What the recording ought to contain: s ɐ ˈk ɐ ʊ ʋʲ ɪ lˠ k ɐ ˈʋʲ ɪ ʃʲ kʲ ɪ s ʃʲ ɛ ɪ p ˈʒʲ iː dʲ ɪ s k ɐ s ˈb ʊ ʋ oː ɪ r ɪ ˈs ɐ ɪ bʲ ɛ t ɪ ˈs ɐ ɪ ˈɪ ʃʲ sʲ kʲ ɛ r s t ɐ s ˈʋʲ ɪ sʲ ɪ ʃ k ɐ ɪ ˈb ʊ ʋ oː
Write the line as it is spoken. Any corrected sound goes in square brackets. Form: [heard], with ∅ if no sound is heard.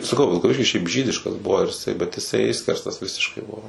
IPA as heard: s ɐ ˈk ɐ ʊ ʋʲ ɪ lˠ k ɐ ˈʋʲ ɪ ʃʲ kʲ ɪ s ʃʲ ɛ ɪ p ˈʒʲ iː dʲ ɪ [ʃ] k ɐ s ˈb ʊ ʋ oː ɪ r ɪ ˈs ɐ ɪ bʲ ɛ t ɪ ˈs ɐ ɪ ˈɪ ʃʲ sʲ kʲ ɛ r s t ɐ s ˈʋʲ ɪ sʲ ɪ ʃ k ɐ ɪ ˈb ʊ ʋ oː

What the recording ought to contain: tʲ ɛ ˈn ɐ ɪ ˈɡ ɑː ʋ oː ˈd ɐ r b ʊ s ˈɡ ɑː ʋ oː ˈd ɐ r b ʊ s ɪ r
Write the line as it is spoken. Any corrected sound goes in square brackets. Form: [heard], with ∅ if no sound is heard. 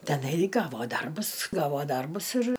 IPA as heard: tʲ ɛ ˈn ɐ ɪ ˈɡ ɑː ʋ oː ˈd ɐ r b ʊ s ˈɡ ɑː ʋ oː ˈd ɐ r b ʊ s ɪ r

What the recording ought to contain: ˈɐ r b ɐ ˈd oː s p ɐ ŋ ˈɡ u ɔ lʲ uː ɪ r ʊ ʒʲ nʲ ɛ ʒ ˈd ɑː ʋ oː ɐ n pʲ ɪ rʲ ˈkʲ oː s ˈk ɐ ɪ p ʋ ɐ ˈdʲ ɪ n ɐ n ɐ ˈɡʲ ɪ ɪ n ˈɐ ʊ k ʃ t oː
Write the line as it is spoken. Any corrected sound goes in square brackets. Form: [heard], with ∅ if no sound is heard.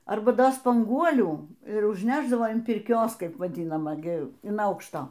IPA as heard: ˈɐ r b ɐ ˈd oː s p ɐ ŋ ˈɡ u ɔ lʲ uː ɪ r ʊ ʒʲ nʲ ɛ ʒ ˈd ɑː ʋ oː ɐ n pʲ ɪ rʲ ˈkʲ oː s ˈk ɐ ɪ p ʋ ɐ ˈdʲ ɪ n ɐ [m] ɐ ˈɡʲ ɪ ɪ n ˈɐ ʊ k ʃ t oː

